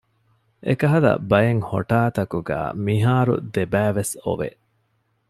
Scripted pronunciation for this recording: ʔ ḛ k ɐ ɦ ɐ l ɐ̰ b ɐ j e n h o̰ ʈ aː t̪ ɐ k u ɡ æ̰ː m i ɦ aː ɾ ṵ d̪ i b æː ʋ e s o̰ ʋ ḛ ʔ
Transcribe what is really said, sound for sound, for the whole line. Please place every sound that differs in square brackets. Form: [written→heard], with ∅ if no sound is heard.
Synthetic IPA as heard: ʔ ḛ k ɐ ɦ ɐ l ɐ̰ b ɐ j e [n→ŋ] h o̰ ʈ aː t̪ ɐ k u ɡ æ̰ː m i ɦ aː ɾ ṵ d̪ [i→e] b æː ʋ e s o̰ ʋ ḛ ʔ